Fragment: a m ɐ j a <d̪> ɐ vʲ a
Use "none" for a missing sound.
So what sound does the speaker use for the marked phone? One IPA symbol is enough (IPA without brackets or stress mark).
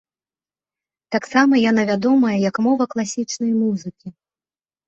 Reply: n̪